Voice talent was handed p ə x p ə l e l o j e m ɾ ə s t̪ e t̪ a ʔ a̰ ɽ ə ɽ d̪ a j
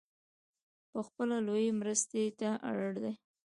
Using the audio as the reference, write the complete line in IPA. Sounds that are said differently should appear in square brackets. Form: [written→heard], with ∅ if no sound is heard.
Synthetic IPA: p ə x p ə l [e→a] l o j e m ɾ ə s t̪ e t̪ a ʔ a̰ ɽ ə ɽ d̪ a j